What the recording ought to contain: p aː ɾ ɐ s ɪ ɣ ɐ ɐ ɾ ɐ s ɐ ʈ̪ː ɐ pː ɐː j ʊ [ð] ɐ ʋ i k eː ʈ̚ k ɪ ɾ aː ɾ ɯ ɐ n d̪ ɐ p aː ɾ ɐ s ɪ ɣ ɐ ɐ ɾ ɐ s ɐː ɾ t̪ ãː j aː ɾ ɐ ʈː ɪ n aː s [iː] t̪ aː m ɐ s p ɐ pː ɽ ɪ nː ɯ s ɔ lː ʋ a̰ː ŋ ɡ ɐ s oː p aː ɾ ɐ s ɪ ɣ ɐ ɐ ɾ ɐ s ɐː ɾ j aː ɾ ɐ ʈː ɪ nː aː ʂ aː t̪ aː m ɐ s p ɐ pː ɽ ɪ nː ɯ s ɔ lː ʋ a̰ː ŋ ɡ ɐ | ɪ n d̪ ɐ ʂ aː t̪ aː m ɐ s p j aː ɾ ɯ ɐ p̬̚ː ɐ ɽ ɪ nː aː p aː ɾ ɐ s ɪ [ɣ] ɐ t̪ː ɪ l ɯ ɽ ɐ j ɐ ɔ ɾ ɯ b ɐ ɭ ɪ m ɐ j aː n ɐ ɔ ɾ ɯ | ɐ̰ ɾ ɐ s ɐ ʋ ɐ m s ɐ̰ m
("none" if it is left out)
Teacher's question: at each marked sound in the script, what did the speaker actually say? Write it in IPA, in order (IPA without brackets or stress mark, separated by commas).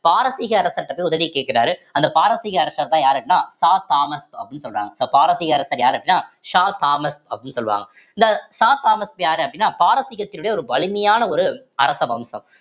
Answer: ð, aː, ɣ